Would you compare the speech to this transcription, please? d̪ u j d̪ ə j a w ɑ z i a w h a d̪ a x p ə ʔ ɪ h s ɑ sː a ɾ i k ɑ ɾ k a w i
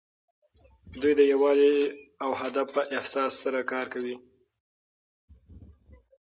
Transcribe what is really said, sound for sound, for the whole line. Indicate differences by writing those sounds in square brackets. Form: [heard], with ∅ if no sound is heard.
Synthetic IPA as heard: d̪ u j d̪ ə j a w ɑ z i a w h a d̪ a [f] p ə ʔ ɪ h s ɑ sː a ɾ [a] k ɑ ɾ k a w i